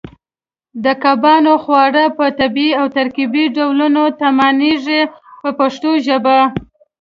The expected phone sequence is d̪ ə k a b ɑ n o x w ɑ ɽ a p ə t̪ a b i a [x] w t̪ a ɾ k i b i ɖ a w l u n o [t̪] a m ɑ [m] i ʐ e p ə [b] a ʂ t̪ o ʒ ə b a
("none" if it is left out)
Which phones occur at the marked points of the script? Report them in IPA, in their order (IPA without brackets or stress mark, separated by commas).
none, t̪, n, p